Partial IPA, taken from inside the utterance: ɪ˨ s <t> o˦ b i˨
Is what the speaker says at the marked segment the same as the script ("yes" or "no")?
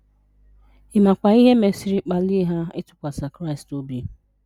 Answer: yes